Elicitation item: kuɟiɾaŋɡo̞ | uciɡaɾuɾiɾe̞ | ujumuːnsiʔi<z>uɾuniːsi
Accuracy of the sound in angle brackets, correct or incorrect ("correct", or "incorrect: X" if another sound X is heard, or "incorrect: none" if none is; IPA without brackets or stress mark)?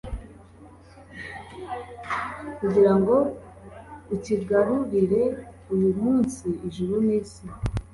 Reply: incorrect: ʒ